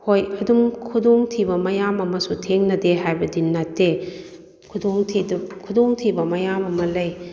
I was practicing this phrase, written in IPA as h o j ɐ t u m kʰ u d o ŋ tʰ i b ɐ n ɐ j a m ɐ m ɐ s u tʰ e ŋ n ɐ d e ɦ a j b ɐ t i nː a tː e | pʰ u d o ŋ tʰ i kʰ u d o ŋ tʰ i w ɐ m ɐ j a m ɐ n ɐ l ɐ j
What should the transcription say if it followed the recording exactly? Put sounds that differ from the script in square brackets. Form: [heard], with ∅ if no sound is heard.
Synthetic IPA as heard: h o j ɐ [d] u m kʰ u d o ŋ tʰ i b ɐ [m] ɐ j a m ɐ m ɐ s u tʰ e ŋ n ɐ d e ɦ a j b ɐ [d] i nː a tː e | [kʰ] u d o ŋ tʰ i kʰ u d o ŋ tʰ i [b] ɐ m ɐ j a m ɐ [m] ɐ l ɐ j